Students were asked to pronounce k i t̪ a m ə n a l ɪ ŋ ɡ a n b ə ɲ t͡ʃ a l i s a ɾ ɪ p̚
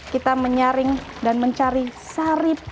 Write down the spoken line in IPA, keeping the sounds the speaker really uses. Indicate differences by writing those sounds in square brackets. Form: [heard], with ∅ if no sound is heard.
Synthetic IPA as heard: k i t̪ a m ə [ɲ] a [ɾ] ɪ ŋ [d] a n [m] ə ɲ t͡ʃ a [ɾ] i s a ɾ ɪ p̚